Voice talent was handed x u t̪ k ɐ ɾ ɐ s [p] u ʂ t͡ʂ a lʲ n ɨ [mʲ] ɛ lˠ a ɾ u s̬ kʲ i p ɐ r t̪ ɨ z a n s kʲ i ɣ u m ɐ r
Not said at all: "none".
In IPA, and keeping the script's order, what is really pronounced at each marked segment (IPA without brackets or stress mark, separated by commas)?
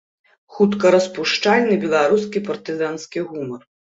p, bʲ